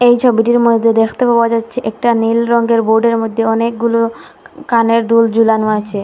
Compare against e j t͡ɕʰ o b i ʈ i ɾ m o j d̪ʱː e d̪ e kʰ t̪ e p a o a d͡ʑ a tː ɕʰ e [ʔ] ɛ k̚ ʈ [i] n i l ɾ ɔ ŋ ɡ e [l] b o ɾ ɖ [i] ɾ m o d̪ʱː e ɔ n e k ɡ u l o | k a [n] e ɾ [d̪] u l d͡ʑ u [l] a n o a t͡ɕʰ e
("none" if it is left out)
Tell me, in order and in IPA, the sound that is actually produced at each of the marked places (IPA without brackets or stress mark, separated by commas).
ʔ, a, ɾ, e, n, d̪, l